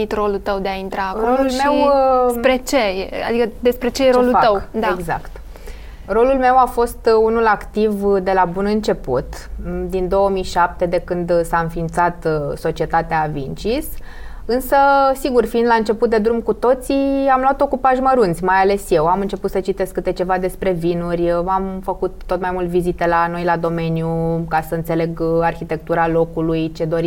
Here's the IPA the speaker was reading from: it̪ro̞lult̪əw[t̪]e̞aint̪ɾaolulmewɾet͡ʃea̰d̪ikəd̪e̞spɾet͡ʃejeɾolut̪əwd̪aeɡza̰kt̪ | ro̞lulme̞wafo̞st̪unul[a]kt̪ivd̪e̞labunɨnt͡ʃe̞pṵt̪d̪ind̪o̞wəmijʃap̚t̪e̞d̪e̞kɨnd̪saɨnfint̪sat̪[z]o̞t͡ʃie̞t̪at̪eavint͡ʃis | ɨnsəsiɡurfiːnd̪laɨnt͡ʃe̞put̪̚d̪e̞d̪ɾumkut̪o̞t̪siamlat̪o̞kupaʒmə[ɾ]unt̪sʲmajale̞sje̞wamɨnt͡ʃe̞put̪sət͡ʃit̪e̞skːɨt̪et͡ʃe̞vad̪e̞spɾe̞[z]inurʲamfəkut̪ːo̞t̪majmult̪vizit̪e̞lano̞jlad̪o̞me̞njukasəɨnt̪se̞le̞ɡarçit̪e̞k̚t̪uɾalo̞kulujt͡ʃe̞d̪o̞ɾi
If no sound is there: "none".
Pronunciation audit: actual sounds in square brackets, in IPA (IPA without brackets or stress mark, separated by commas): d̪, a, s, ɾ, v